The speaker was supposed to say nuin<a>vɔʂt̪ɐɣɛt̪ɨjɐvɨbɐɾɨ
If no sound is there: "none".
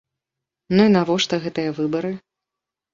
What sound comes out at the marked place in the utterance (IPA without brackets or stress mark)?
a